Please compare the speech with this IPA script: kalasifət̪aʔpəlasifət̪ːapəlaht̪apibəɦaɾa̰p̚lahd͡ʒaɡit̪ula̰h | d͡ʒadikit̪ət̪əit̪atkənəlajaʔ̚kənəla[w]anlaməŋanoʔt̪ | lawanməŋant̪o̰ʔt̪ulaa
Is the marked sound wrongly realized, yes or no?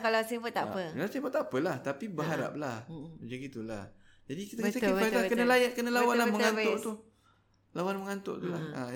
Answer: no